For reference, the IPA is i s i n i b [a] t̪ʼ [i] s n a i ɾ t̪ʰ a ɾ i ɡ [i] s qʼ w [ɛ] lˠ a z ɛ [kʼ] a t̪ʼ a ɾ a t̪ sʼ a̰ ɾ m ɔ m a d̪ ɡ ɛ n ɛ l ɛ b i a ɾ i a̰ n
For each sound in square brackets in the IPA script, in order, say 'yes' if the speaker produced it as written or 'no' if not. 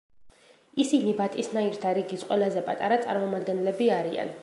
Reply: yes, yes, yes, yes, no

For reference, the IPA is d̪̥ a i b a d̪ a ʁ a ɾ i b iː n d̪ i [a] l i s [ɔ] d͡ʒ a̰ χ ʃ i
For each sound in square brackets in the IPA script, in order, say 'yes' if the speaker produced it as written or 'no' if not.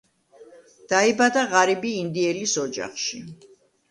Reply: no, yes

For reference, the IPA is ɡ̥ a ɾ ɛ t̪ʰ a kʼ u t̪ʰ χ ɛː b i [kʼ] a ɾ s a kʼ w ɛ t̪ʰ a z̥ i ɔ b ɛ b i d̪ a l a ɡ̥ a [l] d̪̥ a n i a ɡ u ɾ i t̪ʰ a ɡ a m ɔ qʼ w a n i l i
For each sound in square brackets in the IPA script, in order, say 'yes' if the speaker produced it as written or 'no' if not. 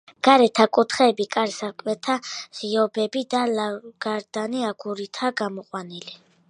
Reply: yes, no

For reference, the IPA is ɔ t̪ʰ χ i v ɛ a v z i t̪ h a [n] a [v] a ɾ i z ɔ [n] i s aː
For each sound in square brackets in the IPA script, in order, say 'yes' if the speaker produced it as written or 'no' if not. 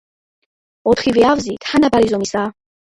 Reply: yes, no, no

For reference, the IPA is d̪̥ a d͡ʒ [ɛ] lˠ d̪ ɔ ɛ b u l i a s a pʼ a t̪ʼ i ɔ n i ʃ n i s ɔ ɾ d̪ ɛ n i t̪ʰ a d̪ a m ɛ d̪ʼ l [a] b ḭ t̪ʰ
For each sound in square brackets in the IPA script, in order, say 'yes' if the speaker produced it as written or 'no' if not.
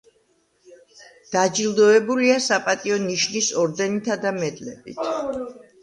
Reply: no, no

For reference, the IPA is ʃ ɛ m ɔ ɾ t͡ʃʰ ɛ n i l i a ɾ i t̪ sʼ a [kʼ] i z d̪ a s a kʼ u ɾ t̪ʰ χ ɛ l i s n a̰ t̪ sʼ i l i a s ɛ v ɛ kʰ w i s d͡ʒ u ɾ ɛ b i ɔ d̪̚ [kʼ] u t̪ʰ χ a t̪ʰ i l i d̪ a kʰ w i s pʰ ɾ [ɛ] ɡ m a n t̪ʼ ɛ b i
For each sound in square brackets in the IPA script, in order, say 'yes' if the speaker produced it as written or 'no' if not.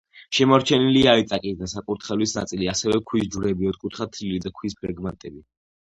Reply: yes, yes, yes

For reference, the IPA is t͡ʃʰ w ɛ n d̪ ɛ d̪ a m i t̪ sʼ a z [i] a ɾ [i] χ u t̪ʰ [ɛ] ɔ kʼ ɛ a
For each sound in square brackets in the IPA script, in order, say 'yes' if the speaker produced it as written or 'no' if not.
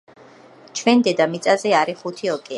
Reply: no, yes, no

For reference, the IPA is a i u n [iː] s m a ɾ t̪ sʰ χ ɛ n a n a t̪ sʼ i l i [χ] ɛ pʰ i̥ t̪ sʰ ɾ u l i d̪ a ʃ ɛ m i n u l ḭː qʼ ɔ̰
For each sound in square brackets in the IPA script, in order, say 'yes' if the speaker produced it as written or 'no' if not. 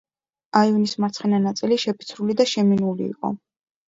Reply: no, no

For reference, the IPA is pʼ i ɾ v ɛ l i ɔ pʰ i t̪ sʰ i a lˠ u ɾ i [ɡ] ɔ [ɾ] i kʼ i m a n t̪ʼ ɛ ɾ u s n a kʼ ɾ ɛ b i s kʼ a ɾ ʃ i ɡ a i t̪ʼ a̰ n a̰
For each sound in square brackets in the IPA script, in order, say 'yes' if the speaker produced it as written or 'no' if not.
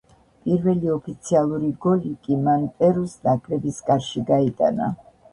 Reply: yes, no

